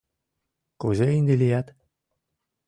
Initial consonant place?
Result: velar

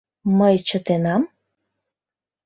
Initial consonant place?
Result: labial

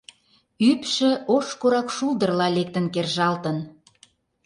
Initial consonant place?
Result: labial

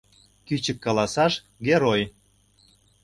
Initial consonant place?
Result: velar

